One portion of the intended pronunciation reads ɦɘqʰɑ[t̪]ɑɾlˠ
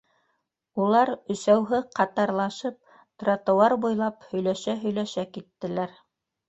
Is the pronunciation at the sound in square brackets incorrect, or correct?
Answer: correct